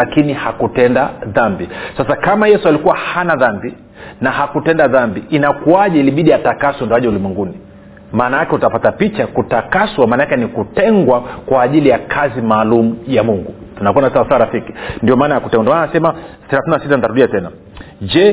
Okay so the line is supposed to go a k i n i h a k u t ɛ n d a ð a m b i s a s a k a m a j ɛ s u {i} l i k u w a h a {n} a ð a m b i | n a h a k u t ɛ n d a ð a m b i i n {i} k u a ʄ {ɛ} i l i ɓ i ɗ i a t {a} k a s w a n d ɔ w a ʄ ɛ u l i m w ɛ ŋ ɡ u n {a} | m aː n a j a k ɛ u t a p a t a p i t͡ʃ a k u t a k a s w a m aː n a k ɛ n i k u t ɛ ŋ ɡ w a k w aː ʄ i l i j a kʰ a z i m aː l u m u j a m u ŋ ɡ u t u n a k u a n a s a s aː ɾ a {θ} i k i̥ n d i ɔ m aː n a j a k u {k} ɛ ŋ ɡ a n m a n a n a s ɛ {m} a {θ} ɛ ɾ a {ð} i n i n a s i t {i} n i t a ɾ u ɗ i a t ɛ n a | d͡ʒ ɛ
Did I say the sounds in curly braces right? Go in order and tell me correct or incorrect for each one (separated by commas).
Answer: incorrect, correct, incorrect, correct, correct, incorrect, incorrect, incorrect, correct, correct, incorrect, incorrect